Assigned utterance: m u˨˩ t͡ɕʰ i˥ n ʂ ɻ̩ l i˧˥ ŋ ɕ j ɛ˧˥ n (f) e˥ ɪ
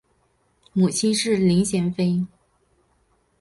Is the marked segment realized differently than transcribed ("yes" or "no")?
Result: no